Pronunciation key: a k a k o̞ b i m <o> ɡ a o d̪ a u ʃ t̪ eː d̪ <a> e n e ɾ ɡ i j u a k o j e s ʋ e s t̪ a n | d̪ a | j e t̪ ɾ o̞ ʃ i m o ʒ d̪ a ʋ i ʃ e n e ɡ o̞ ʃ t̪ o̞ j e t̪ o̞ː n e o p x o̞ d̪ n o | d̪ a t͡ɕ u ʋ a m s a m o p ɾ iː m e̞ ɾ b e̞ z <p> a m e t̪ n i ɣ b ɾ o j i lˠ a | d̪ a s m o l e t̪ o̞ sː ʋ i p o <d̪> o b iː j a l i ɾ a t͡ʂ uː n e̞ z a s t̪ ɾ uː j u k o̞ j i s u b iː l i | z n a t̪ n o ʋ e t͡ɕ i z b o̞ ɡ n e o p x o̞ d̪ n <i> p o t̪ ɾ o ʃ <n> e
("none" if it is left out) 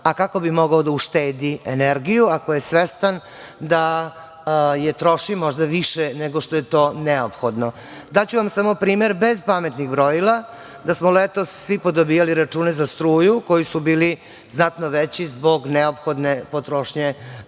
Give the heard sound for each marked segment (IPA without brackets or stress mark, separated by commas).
o, i, p, d̪, e, ɲ